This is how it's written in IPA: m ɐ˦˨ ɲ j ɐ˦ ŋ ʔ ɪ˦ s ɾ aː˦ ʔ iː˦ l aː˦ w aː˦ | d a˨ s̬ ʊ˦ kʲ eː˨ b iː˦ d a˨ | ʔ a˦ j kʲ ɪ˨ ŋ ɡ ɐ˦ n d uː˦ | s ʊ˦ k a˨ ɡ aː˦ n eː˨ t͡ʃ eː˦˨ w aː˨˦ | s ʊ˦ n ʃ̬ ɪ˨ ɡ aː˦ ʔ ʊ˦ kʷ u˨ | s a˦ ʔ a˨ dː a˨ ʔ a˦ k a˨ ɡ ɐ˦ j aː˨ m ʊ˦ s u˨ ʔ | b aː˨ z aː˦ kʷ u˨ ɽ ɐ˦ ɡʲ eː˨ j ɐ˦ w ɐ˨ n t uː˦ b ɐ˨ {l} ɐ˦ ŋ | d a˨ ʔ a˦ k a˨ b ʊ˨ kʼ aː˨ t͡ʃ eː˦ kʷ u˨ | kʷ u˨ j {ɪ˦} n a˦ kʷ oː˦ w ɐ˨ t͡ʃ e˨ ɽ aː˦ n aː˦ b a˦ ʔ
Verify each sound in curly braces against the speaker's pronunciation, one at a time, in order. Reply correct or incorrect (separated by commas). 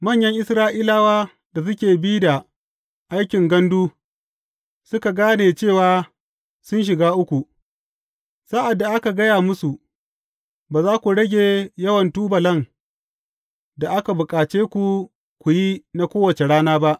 correct, incorrect